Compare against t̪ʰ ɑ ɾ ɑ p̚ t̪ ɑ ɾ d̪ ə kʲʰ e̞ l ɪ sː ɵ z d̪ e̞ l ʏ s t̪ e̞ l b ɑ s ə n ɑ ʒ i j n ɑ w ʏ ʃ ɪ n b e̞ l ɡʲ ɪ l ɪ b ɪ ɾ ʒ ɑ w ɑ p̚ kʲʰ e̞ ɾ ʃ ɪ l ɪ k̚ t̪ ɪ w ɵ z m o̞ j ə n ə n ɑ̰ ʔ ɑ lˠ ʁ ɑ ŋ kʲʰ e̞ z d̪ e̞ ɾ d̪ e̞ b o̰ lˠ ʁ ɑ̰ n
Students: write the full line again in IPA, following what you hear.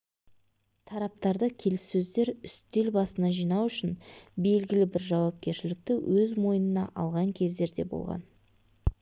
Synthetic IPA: t̪ʰ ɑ ɾ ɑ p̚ t̪ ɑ ɾ d̪ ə kʲʰ e̞ l ɪ sː ɵ z d̪ e̞ ɾ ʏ s t̪ e̞ l b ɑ s ə n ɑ ʒ i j n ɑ w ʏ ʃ ɪ n b e̞ l ɡʲ ɪ l ɪ b ɪ ɾ ʒ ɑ w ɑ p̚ kʲ e̞ ɾ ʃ ɪ l ɪ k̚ t̪ ɪ w ɵ z m o̞ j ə n ə n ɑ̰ ʔ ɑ lˠ ʁ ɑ ŋ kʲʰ e̞ z d̪ e̞ ɾ d̪ e̞ b o̰ lˠ ʁ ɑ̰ n